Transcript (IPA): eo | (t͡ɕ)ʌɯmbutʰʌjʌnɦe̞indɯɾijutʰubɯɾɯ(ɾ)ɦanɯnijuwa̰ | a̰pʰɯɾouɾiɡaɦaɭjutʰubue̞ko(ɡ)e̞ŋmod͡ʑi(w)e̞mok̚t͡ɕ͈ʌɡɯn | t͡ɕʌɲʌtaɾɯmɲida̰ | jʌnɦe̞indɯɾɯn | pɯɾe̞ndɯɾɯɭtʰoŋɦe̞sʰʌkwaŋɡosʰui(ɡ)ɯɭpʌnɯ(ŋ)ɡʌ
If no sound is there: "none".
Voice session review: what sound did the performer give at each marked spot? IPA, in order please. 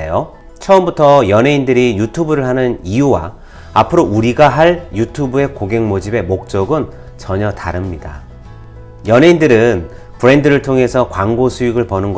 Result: t͡ɕʰ, ɭ, ɡ, b, ɡ, n

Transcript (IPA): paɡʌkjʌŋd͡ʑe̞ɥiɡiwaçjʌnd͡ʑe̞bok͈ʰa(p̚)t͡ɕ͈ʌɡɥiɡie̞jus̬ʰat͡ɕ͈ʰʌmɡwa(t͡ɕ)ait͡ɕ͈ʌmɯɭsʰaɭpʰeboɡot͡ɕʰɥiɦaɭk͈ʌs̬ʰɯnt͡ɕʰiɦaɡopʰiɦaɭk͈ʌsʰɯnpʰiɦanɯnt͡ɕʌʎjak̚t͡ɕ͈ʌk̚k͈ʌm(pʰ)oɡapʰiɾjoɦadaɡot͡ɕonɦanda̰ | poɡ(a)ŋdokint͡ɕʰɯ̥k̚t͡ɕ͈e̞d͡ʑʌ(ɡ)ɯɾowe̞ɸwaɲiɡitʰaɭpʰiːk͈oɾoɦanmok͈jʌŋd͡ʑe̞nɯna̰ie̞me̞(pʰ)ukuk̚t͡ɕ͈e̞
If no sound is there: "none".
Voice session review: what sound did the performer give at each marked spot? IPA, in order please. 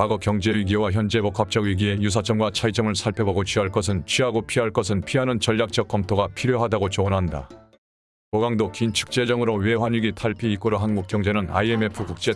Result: p̚, t͡ɕʰ, tʰ, a, ŋ, pʰ

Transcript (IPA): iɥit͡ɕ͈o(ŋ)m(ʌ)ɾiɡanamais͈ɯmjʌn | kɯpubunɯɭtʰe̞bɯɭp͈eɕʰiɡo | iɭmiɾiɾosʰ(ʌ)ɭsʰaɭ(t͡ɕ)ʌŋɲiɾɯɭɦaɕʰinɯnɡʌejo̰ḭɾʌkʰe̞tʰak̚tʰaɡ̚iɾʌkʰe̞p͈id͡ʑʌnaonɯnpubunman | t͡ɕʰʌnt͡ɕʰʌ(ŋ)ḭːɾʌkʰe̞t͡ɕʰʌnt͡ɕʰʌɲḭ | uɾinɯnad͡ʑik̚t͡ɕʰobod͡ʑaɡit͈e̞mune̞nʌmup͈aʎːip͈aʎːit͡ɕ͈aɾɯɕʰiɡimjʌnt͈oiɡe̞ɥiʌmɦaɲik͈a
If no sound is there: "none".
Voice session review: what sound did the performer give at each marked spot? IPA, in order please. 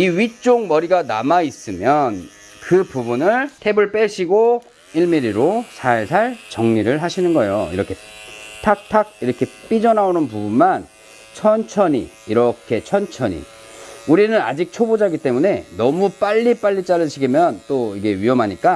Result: ŋ, ʌ, a, t͡ɕ, ɲ

